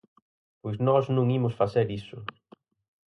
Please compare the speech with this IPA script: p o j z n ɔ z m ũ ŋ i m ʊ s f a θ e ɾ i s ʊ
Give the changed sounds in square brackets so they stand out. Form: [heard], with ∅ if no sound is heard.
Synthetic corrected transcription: p o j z n ɔ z [n] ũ ŋ i m ʊ s f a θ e ɾ i s ʊ